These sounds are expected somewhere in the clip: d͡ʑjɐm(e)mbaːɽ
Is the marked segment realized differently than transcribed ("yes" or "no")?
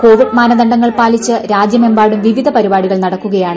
no